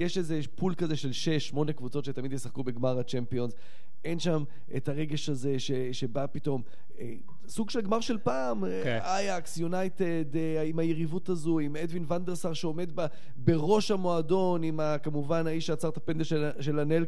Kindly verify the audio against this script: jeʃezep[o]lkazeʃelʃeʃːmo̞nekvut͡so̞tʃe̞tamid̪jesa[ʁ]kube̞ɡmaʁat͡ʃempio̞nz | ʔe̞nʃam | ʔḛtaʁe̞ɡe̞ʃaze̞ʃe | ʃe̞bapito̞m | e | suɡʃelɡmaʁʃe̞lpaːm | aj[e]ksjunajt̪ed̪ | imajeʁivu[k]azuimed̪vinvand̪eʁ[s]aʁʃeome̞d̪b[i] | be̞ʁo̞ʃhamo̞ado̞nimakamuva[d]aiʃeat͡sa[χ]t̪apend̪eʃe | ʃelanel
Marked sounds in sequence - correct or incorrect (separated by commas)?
incorrect, incorrect, incorrect, incorrect, correct, incorrect, incorrect, incorrect